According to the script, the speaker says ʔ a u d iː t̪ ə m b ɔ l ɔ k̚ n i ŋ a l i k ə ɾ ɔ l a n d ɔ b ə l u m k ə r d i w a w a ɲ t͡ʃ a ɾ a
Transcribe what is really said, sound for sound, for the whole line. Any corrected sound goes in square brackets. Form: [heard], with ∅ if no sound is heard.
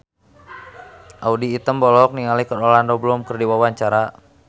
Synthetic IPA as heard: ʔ a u d iː t̪ ə m b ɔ l ɔ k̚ n i ŋ a l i k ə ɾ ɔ l a n d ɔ b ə l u m k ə r d i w a w a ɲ t͡ʃ a ɾ a

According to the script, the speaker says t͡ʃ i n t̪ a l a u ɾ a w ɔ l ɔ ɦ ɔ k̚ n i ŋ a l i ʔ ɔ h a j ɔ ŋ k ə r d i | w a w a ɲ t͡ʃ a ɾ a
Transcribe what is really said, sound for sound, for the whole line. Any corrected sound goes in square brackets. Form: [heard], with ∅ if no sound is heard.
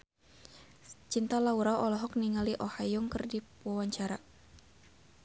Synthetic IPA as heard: t͡ʃ i n t̪ a l a u ɾ a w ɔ l ɔ ɦ ɔ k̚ n i ŋ a l i ʔ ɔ h a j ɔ ŋ k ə r d i | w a w a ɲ t͡ʃ a ɾ a

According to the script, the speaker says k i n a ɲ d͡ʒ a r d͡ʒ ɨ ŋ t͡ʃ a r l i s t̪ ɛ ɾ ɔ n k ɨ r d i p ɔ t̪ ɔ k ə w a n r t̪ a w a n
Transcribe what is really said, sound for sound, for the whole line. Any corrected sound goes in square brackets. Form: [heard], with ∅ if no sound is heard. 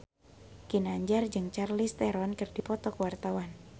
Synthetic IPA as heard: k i n a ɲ d͡ʒ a r d͡ʒ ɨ ŋ t͡ʃ a r l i s t̪ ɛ ɾ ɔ n k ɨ r d i p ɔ t̪ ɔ k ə w a [∅] r t̪ a w a n

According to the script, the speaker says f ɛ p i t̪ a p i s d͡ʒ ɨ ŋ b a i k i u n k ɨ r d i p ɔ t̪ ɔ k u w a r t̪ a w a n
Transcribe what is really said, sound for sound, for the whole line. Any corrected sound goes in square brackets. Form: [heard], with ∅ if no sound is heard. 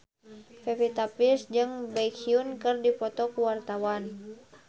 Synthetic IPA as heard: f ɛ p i t̪ a p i s d͡ʒ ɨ ŋ b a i k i u n k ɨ r d i p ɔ t̪ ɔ k u w a r t̪ a w a n

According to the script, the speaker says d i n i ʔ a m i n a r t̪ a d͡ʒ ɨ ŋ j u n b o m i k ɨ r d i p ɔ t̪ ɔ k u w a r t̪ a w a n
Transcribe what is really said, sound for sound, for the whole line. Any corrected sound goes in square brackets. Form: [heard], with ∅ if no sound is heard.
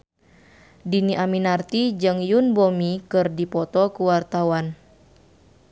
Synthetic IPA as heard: d i n i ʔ a m i n a r t̪ [i] d͡ʒ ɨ ŋ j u n b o m i k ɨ r d i p ɔ t̪ ɔ k u w a r t̪ a w a n

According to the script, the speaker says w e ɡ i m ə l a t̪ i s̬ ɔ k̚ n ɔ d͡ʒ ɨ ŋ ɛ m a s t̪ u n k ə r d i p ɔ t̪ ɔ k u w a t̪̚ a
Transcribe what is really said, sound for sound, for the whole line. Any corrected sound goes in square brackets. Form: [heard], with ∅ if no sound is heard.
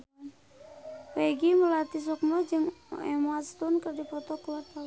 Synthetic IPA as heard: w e ɡ i m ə l a t̪ i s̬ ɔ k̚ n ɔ d͡ʒ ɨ ŋ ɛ m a s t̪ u n k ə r d i p ɔ t̪ ɔ k u w a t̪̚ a

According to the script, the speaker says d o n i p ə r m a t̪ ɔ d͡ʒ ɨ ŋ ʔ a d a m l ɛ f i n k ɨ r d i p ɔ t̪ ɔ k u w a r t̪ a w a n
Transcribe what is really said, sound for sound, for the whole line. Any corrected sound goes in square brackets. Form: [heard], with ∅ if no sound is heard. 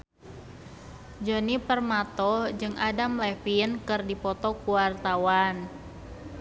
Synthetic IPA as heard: [d͡ʒ] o n i p ə r m a t̪ ɔ d͡ʒ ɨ ŋ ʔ a d a m l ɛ f i n k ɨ r d i p ɔ t̪ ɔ k u w a r t̪ a w a n

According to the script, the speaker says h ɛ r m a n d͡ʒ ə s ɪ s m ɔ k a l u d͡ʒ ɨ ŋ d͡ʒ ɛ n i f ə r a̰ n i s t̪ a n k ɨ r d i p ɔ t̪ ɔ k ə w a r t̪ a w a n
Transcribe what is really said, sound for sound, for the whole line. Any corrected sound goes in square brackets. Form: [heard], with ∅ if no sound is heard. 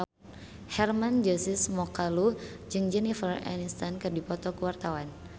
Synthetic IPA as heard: h ɛ r m a n d͡ʒ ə s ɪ s m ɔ k a l u d͡ʒ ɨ ŋ d͡ʒ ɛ n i f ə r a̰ n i s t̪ a n k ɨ r d i p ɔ t̪ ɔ k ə w a r t̪ a w a n

